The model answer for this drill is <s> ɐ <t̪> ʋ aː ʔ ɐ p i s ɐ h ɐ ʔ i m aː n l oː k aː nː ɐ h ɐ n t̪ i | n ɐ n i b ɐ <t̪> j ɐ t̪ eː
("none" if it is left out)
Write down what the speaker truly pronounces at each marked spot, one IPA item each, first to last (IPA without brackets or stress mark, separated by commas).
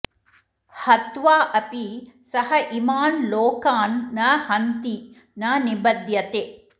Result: h, t̪, d̪